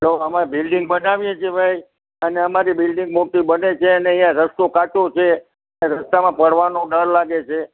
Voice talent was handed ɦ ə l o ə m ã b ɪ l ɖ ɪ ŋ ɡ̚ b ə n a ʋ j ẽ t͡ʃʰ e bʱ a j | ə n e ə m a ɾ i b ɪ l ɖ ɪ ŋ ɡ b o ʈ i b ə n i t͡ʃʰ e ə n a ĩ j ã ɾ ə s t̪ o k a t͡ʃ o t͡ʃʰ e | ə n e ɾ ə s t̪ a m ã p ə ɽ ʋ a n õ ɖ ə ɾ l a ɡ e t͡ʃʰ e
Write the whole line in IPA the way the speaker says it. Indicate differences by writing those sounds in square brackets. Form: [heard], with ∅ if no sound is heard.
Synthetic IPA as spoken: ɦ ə l o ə m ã b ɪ l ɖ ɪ ŋ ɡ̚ b ə n a ʋ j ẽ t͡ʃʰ e bʱ a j | ə n e ə m a ɾ i b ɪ l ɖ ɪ ŋ ɡ [m] o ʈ i b ə n [e] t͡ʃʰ e ə n [e] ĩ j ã ɾ ə s t̪ o k a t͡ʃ o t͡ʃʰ e | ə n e ɾ ə s t̪ a m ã p ə ɽ ʋ a n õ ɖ ə ɾ l a ɡ e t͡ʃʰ e